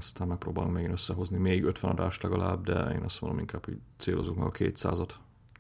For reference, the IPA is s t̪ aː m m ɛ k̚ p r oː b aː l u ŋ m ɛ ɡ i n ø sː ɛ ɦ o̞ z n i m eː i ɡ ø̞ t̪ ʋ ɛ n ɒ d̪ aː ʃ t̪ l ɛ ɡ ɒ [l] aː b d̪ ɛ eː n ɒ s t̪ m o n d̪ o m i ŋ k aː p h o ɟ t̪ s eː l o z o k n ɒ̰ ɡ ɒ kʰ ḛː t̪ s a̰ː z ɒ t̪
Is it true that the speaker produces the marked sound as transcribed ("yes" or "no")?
yes